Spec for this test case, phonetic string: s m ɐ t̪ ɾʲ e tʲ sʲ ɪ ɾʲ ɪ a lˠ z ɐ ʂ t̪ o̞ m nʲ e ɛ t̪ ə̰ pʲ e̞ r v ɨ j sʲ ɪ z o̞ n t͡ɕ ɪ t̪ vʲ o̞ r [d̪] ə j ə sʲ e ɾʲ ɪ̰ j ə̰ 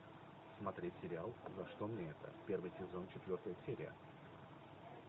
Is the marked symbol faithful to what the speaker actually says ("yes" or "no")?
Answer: no